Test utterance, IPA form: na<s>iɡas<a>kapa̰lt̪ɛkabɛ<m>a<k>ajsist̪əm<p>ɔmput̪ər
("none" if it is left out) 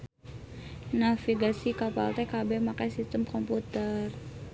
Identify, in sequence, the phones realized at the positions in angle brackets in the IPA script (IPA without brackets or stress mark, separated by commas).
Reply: f, i, m, k, k